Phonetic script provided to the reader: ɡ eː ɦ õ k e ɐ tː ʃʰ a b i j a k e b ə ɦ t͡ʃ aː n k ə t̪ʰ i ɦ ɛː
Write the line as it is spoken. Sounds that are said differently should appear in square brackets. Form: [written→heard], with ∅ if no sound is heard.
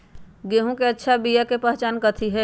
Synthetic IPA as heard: ɡ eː ɦ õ k e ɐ tː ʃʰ a b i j a k e [b→p] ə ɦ t͡ʃ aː n k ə t̪ʰ i ɦ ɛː